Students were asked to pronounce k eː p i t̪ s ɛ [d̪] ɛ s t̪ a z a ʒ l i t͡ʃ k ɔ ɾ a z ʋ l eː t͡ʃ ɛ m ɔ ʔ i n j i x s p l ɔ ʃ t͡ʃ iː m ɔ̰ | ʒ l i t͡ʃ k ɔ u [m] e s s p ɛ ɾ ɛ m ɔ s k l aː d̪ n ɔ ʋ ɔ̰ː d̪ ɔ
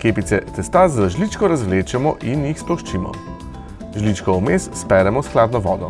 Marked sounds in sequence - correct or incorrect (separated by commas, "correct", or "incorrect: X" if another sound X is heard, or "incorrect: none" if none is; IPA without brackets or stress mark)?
incorrect: t̪, correct